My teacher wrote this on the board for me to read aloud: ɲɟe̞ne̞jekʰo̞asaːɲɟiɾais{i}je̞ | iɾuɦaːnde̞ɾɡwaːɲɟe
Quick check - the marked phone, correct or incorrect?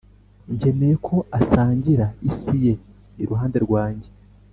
correct